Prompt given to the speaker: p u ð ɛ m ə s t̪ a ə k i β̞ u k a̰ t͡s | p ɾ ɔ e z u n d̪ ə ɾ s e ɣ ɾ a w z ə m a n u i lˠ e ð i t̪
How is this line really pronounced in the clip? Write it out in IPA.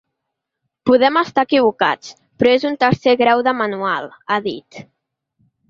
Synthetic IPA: p u ð ɛ m ə s t̪ a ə k i β̞ u k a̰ t͡s | p ɾ ɔ e z u n t̪ ə ɾ s e ɣ ɾ a w ð ə m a n u a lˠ a ð i t̪

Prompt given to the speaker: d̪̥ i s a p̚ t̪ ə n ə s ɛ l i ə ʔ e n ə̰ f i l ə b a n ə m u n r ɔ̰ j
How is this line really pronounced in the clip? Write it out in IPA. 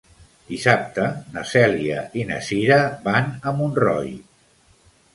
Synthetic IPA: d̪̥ i s a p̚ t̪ ə n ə s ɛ l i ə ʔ i n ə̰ s i ɾ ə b a n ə m u n r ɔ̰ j

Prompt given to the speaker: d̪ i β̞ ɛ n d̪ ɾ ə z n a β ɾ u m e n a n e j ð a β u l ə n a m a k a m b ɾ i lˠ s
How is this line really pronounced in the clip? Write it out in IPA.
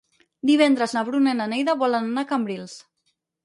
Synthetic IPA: d̪ i β̞ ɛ n d̪ ɾ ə z n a β ɾ u n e n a n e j ð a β ɔ l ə n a n a k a m b ɾ i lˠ s

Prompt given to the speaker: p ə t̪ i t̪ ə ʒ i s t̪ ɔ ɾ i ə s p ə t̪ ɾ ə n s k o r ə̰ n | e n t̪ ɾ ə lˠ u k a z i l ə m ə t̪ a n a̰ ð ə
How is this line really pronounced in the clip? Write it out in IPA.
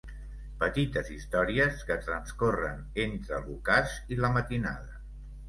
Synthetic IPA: p ə t̪ i t̪ ə z i s t̪ ɔ ɾ i ə s k ə t̪ ɾ ə n s k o r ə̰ n | e n t̪ ɾ ə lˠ u k a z i l ə m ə t̪ i n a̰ ð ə

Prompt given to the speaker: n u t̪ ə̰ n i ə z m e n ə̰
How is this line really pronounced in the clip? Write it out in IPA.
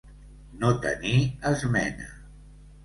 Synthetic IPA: n o t̪ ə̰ n i ə z m ɛ n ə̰

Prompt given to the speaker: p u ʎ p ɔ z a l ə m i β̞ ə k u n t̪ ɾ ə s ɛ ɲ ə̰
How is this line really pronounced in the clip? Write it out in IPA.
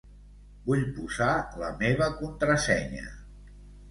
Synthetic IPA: b u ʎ p u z a l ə m e β̞ ə k u n t̪ ɾ ə s ɛ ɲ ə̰

